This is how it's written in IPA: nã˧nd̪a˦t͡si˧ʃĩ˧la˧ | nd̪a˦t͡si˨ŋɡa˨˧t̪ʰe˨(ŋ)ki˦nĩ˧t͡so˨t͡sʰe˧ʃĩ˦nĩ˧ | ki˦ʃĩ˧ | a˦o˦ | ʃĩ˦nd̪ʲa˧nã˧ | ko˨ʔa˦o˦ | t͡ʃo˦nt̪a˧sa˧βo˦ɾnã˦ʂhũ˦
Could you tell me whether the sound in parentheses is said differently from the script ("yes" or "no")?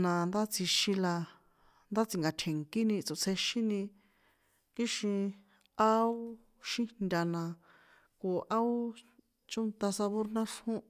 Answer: no